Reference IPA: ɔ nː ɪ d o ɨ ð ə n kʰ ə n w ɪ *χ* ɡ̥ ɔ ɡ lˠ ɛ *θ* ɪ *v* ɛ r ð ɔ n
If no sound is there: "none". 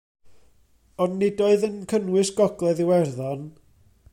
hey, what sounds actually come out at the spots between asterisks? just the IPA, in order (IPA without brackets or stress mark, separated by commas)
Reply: s, ð, w